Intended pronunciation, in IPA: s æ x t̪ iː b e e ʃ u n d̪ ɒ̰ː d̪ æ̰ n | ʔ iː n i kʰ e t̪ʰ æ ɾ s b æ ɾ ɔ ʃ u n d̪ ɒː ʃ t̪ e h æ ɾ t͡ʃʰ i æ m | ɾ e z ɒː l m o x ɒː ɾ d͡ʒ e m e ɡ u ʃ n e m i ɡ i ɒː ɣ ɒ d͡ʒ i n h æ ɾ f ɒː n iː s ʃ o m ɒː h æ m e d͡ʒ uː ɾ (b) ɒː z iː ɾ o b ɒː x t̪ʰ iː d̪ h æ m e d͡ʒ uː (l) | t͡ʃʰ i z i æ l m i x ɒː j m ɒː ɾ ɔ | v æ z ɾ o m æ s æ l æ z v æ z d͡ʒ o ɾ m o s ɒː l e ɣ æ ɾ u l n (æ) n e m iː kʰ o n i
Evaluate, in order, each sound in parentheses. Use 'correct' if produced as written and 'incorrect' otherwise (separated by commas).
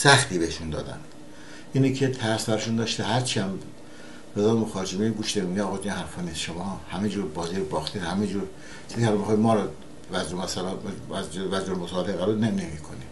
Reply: correct, incorrect, incorrect